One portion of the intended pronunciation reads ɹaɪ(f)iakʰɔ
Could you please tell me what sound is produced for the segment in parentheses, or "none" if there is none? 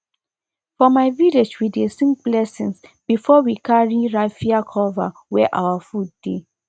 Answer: f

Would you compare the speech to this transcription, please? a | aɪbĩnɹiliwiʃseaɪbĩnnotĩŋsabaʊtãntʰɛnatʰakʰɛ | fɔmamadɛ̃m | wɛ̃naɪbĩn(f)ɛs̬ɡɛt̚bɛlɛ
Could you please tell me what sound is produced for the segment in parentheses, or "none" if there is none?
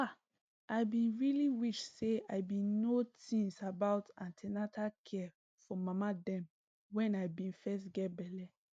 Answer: f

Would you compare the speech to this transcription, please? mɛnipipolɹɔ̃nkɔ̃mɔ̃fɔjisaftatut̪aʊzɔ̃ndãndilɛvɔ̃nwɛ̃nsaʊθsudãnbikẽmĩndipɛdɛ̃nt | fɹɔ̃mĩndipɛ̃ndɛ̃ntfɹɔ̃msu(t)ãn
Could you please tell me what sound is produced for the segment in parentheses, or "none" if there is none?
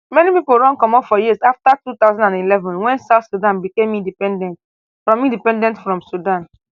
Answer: d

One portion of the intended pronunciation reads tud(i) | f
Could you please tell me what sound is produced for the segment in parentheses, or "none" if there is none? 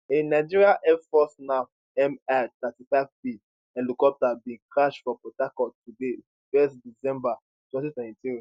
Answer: e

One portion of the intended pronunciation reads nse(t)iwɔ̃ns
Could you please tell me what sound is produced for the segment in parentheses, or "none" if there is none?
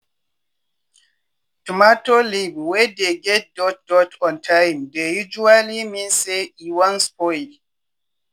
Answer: none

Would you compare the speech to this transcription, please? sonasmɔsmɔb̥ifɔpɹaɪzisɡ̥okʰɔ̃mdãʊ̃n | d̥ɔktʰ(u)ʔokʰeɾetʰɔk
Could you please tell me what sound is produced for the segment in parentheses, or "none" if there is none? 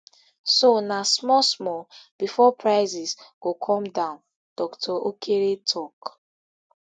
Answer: ɔ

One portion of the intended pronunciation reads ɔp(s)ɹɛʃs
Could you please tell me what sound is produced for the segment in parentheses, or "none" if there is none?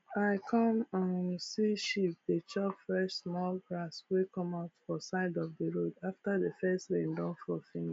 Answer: f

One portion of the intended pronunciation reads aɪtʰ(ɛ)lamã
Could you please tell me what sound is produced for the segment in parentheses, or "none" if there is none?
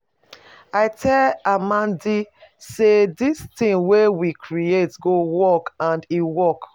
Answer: ɛ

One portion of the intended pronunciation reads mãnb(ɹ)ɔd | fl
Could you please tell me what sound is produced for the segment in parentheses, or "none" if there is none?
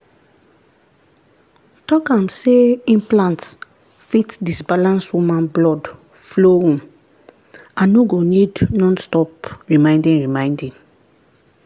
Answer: l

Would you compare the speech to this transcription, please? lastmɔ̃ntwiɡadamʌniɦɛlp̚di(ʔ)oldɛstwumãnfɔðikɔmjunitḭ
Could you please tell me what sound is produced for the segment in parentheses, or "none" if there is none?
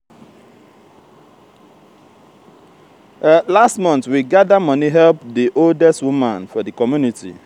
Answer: ʔ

